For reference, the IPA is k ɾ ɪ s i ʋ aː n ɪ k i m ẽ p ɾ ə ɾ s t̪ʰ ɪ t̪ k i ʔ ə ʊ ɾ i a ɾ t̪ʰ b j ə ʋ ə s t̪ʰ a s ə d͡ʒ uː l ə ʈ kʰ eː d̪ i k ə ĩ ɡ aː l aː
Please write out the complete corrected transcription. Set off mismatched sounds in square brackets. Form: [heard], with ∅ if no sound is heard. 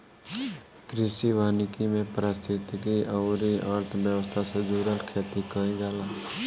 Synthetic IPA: k ɾ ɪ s i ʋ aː n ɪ k i m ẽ p ɾ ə [∅] s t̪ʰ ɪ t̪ k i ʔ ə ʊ ɾ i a ɾ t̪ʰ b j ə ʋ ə s t̪ʰ a s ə d͡ʒ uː [ɾ] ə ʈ kʰ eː [t̪] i k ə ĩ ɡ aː l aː